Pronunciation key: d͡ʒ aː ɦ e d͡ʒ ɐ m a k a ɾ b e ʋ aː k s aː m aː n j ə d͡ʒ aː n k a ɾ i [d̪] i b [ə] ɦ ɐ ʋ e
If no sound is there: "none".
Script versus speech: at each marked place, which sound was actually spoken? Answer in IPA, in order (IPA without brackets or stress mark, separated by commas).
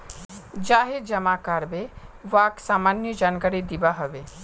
d̪, a